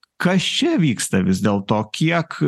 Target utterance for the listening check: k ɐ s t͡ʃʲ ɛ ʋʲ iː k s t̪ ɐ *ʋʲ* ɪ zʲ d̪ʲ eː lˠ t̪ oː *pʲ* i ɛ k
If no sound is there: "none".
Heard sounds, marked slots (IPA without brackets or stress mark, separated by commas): ʋʲ, kʲ